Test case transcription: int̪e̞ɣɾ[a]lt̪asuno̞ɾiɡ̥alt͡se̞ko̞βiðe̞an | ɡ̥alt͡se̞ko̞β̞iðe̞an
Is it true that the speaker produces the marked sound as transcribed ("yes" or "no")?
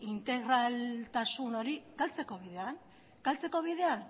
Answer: yes